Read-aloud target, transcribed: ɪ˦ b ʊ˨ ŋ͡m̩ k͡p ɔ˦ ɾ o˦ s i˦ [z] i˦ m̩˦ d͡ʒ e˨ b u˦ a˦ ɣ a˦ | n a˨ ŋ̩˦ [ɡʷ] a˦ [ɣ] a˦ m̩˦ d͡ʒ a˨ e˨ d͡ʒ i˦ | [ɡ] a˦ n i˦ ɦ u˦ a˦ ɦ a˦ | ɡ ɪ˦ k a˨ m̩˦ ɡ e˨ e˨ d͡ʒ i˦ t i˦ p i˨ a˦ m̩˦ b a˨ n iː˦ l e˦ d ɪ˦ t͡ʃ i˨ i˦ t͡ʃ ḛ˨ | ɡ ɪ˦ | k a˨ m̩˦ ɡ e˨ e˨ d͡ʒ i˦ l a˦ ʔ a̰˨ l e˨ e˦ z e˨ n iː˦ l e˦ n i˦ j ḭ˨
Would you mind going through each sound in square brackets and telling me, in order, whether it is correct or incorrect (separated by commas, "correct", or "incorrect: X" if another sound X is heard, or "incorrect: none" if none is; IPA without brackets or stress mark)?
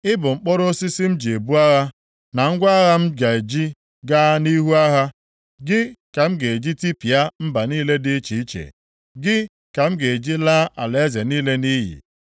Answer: incorrect: s, correct, correct, correct